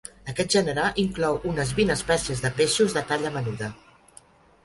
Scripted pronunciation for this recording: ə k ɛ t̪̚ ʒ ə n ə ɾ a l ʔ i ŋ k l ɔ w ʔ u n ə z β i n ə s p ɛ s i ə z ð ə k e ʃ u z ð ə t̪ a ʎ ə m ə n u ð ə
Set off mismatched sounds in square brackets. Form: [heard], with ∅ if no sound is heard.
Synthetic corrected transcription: ə k ɛ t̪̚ ʒ ə n ə ɾ a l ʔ i ŋ k l ɔ w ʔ u n ə z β i n ə s p ɛ s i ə z ð ə [p] e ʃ u z ð ə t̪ a ʎ ə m ə n u ð ə

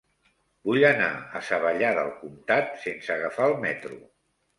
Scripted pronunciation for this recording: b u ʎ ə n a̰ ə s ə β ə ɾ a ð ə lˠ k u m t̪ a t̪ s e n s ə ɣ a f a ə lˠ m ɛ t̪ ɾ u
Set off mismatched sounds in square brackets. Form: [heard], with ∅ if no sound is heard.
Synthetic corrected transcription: b u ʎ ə n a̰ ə s ə β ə [ʎ] a ð ə lˠ k u m t̪ a t̪ s e n s ə ɣ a f a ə lˠ m ɛ t̪ ɾ u

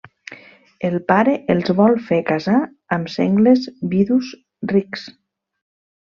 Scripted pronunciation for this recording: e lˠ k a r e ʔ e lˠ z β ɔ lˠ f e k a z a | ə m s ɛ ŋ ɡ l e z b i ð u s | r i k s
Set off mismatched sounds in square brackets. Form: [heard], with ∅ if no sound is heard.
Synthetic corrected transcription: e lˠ [p] a [ɾ] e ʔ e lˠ z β ɔ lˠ f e k a z a | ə m s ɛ ŋ ɡ l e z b i ð u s | r i k s

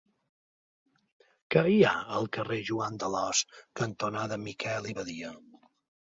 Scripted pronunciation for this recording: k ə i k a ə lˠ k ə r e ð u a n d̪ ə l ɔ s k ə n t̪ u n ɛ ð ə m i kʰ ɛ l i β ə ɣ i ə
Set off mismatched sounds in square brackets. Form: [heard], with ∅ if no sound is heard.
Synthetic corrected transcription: k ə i [∅] a ə lˠ k ə r e [ʒ] u a n d̪ ə l ɔ s k ə n t̪ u n [a] ð ə m i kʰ ɛ l i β ə [ð] i ə

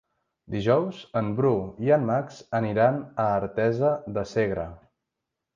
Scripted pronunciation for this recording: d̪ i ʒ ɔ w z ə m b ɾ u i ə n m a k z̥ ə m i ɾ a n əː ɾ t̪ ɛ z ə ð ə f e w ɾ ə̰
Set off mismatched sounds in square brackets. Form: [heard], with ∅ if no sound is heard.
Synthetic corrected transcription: d̪ i ʒ ɔ w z ə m b ɾ u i ə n m a k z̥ ə [n] i ɾ a n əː ɾ t̪ ɛ z ə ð ə [s] e [ɣ] ɾ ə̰

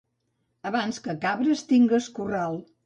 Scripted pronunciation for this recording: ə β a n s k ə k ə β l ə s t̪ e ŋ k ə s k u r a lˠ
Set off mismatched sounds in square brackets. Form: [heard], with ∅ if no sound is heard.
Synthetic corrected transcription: ə β a n s k ə k [a] β [ɾ] ə s t̪ [i] ŋ [ɡ] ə s k u r a lˠ

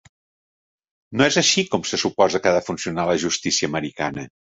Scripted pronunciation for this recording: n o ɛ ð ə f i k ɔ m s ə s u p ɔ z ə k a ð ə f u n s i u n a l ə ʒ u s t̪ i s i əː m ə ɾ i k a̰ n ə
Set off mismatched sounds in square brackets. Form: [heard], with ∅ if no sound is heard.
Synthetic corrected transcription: n o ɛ [z] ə [ʃ] i k ɔ m s ə s u p ɔ z ə k a ð ə f u n s i u n a l ə ʒ u s t̪ i s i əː m ə ɾ i k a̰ n ə

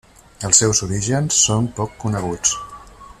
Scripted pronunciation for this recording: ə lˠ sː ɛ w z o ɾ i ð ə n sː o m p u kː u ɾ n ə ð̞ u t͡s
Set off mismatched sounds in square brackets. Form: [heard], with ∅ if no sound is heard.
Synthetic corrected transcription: ə lˠ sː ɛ w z [u] ɾ i [ʒ] ə n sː o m p [ɔ] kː u [∅] n ə [ɣ̞] u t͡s

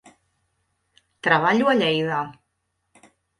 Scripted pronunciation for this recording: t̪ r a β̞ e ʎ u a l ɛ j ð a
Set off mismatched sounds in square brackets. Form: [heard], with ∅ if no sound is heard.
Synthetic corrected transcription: t̪ [ɾ] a β̞ [a] ʎ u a [ʎ] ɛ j ð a

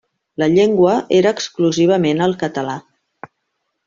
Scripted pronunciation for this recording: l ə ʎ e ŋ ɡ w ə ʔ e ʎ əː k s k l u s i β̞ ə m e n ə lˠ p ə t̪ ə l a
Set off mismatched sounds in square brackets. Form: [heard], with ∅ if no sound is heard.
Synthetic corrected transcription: l ə ʎ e ŋ ɡ w ə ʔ e [ɾ] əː k s k l u [z] i β̞ ə m e n ə lˠ [k] ə t̪ ə l a

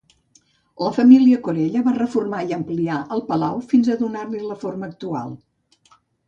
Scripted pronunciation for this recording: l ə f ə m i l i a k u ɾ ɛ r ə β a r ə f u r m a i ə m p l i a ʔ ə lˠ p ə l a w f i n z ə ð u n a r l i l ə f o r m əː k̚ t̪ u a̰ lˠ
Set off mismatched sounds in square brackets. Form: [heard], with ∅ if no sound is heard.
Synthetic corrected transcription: l ə f ə m i l i [ə] k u ɾ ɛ [ʎ] ə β a r ə f u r m a i ə m p l i a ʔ ə lˠ p ə l a w f i n z ə ð u n a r l i l ə f o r m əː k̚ t̪ u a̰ lˠ

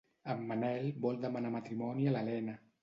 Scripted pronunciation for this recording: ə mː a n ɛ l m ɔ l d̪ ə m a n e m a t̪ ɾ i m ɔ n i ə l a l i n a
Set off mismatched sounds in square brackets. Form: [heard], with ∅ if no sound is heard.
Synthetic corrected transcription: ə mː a n ɛ l [b] ɔ l d̪ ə m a n [a] m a t̪ ɾ i m ɔ n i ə l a l [ɛ] n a

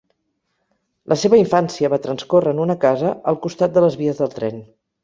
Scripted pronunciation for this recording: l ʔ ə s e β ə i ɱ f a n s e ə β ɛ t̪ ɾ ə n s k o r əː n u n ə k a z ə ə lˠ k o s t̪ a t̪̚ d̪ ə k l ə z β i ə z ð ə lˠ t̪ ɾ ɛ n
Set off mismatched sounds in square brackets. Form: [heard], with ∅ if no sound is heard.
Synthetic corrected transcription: l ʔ ə s e β ə i ɱ f a n s [i] ə β [a] t̪ ɾ ə n s k o r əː n u n ə k a z ə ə lˠ k [u] s t̪ a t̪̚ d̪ ə [∅] l ə z β i ə z ð ə lˠ t̪ ɾ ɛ n

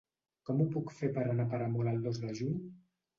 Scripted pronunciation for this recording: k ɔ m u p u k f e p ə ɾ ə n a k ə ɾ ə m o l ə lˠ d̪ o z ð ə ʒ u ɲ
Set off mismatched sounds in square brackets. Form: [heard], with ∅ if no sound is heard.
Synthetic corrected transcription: k ɔ m u p u k f e p ə ɾ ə n a [p] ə ɾ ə m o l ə lˠ d̪ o z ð ə ʒ u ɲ

